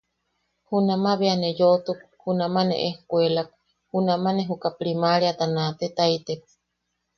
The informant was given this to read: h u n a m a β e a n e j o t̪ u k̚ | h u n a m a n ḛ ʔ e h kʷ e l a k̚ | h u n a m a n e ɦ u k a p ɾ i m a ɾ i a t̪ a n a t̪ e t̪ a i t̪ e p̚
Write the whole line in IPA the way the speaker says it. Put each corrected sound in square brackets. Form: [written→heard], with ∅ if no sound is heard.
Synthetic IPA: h u n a m a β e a n e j o t̪ u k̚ | h u n a m a n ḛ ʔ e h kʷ e l a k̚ | h u n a m a n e ɦ u k a p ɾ i m a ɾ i a t̪ a n a t̪ e t̪ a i t̪ e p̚